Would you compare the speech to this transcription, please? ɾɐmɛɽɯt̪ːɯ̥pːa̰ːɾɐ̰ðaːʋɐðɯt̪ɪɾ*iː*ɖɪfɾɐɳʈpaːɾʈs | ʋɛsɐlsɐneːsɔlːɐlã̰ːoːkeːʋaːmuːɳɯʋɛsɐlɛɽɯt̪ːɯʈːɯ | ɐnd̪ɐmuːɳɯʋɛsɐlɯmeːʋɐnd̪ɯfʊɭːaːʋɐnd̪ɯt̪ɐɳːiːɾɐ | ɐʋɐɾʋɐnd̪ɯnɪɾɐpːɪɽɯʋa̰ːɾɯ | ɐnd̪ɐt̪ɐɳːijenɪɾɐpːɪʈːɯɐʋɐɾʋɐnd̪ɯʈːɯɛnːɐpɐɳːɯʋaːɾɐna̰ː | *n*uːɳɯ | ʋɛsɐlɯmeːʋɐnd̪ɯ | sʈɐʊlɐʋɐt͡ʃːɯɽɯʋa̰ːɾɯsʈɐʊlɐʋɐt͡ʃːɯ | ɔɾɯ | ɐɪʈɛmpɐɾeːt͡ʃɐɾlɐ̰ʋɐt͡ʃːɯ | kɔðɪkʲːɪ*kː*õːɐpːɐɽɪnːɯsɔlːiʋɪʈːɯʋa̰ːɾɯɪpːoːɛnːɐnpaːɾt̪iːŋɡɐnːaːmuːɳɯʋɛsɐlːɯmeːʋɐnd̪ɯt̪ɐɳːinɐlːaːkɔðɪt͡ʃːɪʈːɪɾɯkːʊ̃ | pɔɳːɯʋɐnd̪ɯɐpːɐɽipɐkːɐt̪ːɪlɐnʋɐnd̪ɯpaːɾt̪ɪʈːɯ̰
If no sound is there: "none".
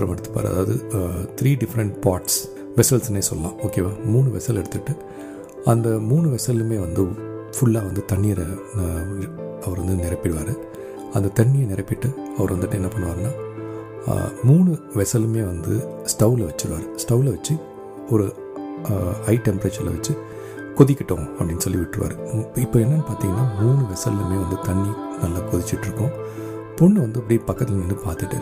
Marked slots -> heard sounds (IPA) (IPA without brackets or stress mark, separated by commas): iː, m, ʈː